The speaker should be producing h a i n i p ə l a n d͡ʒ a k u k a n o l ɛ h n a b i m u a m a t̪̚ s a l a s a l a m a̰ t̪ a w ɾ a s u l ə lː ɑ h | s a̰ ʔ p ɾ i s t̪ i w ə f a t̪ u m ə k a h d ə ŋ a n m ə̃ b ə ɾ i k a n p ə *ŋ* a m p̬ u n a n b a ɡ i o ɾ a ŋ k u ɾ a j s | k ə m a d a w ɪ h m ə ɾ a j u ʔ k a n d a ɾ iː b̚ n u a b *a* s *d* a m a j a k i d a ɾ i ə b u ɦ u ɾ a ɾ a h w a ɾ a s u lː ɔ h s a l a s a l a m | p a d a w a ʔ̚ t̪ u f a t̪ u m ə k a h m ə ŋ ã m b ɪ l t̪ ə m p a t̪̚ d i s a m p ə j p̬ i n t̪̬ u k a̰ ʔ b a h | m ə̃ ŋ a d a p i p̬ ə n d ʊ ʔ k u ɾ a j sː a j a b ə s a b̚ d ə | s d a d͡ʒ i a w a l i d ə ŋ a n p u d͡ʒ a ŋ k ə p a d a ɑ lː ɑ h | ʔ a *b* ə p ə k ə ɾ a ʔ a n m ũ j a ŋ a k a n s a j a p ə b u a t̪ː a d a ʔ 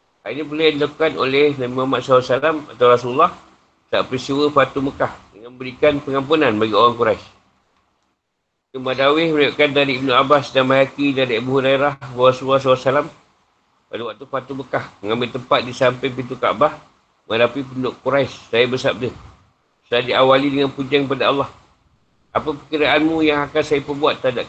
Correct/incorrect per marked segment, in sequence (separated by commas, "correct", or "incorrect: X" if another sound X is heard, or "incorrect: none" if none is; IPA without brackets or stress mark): correct, correct, correct, incorrect: p